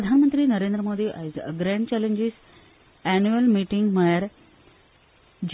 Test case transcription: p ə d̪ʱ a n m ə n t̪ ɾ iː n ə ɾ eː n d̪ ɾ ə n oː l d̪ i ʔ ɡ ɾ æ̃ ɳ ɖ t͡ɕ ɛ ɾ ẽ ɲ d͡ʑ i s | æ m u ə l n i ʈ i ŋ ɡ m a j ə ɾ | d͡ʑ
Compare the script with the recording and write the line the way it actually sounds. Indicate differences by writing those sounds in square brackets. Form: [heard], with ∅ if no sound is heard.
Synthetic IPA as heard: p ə d̪ʱ a n m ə n t̪ ɾ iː n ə ɾ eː n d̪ ɾ ə [m] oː [∅] d̪ i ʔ ɡ ɾ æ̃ ɳ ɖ t͡ɕ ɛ [l] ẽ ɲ d͡ʑ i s | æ [n] u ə l [m] i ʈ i ŋ ɡ m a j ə ɾ | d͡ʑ